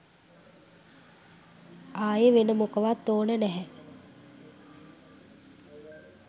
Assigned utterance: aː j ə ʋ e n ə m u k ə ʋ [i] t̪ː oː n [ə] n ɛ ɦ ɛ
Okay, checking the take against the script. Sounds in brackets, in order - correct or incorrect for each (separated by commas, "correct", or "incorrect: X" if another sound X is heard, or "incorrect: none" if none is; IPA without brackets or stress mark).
incorrect: a, correct